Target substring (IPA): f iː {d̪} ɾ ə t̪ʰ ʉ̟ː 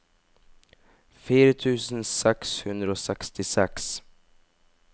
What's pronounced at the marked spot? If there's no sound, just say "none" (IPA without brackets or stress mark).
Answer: none